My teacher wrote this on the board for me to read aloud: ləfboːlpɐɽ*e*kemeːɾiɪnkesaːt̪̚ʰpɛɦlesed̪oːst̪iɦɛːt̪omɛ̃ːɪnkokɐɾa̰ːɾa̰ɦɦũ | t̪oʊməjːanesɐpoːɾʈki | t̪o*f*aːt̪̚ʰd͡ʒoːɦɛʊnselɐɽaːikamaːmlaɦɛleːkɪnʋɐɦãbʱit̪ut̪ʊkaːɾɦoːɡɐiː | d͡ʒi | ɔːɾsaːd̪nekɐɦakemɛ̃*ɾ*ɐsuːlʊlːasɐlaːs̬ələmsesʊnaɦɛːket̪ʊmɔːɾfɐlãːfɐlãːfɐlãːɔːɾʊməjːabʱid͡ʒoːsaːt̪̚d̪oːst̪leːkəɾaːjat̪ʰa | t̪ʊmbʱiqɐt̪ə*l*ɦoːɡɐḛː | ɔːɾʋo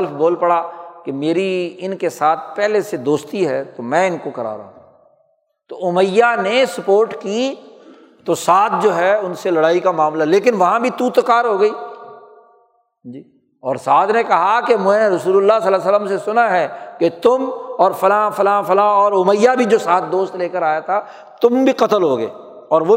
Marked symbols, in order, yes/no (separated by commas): no, no, yes, yes